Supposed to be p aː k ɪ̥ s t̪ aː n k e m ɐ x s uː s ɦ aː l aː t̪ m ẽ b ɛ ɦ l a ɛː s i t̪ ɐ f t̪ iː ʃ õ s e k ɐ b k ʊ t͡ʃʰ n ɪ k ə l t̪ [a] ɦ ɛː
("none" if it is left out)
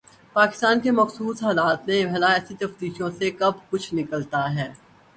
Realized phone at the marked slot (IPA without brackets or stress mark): a